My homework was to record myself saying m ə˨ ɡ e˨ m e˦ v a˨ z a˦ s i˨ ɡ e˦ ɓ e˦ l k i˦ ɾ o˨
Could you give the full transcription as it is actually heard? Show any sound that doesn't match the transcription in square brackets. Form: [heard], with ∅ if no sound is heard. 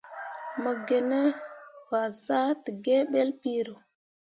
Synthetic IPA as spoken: m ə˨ ɡ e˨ [n] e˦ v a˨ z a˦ [t] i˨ ɡ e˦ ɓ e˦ l [p] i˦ ɾ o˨